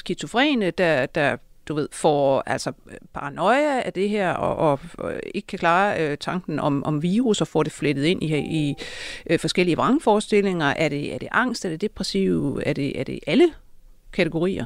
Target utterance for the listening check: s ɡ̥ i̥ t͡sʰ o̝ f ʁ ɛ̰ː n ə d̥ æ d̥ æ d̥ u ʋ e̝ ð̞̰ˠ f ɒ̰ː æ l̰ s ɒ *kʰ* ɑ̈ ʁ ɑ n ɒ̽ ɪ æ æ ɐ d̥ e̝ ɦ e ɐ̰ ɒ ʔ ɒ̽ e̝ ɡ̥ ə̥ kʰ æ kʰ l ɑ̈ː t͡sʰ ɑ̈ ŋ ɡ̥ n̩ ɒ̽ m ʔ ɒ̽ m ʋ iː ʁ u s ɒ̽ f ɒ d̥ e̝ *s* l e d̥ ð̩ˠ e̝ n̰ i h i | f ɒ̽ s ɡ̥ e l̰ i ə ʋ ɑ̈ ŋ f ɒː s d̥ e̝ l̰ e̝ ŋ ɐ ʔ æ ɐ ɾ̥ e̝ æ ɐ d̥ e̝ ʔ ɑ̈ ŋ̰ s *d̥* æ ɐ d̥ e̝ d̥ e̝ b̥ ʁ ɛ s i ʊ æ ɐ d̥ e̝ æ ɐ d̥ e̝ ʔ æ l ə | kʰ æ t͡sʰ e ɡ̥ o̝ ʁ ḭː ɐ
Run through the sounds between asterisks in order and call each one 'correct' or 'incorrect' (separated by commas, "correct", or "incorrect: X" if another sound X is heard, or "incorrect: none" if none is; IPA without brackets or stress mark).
incorrect: pʰ, incorrect: f, correct